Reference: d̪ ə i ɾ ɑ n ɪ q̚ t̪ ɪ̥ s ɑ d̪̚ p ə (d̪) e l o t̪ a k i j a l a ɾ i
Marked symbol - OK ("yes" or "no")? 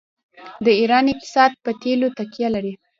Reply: no